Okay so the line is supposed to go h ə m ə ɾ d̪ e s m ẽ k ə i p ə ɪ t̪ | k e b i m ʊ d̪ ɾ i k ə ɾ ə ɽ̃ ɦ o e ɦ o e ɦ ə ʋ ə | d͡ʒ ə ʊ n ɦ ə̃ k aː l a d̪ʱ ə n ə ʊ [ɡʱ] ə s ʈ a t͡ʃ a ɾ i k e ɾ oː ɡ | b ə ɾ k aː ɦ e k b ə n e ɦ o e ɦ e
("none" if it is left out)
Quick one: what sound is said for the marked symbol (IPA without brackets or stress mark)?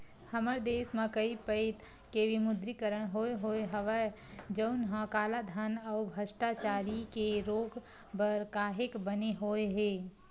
bʱ